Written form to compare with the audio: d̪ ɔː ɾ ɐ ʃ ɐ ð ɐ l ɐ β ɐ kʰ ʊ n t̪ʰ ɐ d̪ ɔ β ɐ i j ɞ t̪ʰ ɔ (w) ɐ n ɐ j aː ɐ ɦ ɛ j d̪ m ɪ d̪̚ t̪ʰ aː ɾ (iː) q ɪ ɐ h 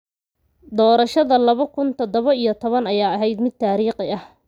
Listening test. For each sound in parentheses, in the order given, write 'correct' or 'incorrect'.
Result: incorrect, correct

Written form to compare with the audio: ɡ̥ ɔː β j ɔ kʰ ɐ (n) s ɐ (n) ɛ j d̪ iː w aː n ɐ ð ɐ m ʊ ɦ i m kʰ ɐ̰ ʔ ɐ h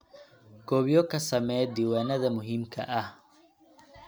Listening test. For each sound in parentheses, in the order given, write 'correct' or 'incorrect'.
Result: incorrect, incorrect

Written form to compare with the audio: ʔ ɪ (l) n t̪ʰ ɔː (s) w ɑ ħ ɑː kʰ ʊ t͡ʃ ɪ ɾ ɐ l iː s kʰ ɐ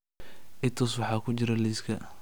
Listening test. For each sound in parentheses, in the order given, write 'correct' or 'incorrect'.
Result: incorrect, correct

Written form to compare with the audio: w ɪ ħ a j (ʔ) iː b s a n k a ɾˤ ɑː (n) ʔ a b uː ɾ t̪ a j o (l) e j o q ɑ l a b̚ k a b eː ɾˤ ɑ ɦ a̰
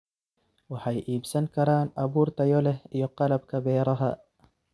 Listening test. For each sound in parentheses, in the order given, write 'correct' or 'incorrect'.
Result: correct, correct, correct

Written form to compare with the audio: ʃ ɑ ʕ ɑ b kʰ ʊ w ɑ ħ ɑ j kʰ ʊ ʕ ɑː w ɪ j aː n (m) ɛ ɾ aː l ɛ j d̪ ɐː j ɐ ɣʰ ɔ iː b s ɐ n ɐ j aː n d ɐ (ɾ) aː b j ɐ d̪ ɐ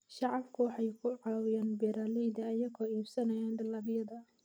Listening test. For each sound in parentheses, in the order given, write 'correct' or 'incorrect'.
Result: incorrect, incorrect

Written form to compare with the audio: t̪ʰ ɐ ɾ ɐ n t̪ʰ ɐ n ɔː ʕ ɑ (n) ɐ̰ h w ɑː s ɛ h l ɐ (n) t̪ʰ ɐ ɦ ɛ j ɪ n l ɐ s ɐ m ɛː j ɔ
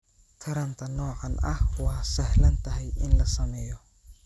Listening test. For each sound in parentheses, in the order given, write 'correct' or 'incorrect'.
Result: correct, correct

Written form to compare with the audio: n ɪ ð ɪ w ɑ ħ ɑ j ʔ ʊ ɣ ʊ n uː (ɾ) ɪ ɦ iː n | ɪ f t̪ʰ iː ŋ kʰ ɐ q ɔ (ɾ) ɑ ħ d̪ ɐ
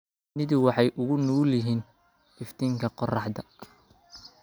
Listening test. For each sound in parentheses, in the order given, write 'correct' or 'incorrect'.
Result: incorrect, incorrect

